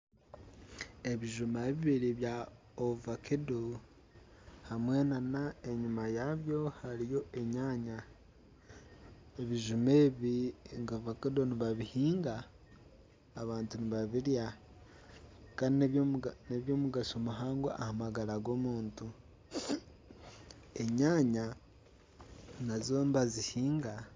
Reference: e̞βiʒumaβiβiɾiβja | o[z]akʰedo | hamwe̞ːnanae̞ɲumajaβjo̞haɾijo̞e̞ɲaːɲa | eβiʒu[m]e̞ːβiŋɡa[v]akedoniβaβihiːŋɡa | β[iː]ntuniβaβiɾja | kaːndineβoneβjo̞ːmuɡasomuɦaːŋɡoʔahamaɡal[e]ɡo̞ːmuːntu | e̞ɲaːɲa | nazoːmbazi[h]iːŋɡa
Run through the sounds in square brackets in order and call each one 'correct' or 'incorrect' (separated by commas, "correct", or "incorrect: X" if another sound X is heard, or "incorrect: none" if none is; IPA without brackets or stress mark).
incorrect: v, correct, correct, incorrect: aː, incorrect: a, correct